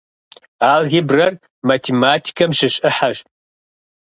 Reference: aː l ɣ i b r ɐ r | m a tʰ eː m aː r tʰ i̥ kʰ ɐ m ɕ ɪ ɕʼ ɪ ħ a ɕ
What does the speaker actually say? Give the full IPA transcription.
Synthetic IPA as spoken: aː l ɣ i b r ɐ r | m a tʰ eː m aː tʰ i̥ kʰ ɐ m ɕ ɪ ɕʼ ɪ ħ a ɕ